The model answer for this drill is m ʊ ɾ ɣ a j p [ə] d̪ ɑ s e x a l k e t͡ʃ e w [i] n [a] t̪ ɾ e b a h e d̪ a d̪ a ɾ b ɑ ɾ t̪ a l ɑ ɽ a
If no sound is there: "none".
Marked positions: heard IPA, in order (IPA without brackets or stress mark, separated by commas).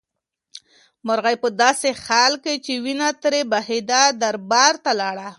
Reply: ə, i, a